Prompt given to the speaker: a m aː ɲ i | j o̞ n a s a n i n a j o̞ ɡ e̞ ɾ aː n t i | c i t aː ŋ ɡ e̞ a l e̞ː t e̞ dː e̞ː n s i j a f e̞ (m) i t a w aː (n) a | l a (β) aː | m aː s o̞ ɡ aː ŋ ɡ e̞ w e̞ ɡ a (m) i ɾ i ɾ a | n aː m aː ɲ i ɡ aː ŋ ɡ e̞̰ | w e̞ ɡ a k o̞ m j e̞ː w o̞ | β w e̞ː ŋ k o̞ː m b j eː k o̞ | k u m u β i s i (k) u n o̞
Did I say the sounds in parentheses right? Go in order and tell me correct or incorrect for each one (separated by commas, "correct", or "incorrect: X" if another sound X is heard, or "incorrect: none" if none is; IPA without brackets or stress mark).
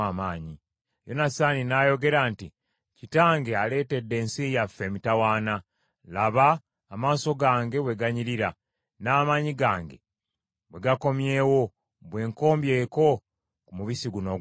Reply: correct, correct, correct, incorrect: ɲ, incorrect: ɡ